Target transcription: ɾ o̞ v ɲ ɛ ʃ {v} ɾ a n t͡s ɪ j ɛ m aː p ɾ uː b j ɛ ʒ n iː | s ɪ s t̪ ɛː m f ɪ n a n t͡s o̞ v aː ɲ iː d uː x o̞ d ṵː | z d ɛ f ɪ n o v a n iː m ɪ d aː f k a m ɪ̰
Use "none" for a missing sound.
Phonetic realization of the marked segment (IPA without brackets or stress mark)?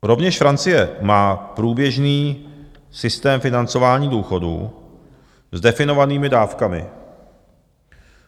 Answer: f